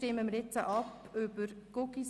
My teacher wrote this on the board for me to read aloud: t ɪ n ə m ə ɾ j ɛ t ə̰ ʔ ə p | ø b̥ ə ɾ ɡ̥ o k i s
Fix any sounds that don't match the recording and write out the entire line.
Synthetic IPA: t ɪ m ə m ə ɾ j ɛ t͡s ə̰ ʔ ɑ p | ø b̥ ə ɾ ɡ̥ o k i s